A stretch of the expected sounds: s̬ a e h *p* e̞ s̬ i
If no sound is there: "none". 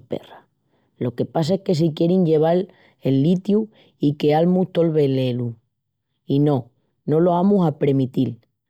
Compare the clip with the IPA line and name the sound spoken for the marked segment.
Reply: k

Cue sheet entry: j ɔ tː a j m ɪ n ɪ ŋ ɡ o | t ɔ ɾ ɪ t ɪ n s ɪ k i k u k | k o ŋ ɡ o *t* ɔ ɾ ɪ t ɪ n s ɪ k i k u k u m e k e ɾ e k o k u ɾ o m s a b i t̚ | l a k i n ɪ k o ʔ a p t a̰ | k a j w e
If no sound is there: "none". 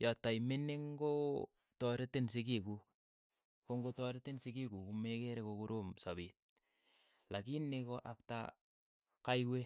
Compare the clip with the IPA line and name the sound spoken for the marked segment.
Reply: t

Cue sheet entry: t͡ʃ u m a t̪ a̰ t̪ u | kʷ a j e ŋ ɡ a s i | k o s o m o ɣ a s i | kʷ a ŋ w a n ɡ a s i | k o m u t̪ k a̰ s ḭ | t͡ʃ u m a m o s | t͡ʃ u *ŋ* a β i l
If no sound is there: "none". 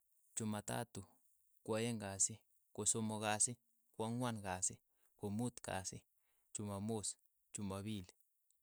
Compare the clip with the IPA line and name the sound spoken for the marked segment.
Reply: m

